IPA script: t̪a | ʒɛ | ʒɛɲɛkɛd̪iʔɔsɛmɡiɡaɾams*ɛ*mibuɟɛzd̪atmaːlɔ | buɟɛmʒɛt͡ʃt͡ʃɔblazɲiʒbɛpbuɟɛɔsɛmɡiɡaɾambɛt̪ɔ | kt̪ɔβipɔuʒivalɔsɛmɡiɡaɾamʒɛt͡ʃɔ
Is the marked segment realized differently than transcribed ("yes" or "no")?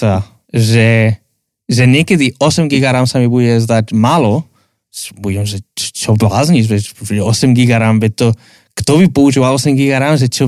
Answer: yes